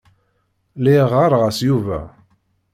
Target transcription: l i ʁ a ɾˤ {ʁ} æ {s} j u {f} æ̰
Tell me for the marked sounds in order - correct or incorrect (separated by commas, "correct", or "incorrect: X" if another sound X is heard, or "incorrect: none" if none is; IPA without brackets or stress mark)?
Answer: correct, correct, incorrect: v